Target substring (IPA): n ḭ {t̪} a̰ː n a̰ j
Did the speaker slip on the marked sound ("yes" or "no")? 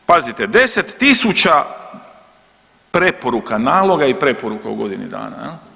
yes